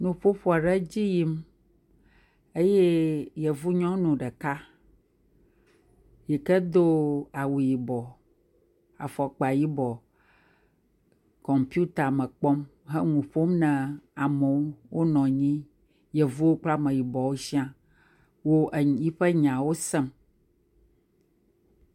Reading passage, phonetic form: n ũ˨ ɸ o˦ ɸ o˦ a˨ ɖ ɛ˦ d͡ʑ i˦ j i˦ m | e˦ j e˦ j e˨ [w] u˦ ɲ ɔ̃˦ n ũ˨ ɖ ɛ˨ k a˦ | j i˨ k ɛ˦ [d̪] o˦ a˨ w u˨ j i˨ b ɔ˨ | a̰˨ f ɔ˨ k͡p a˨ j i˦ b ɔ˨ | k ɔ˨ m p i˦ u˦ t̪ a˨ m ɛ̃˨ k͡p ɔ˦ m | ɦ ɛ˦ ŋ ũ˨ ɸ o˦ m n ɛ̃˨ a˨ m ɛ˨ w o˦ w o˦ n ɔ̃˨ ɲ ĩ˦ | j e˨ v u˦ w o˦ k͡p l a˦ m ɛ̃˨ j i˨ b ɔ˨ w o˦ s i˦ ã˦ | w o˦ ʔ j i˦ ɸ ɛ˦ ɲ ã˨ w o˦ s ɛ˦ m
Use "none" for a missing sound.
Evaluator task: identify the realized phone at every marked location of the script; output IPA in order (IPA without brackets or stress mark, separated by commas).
v, d̪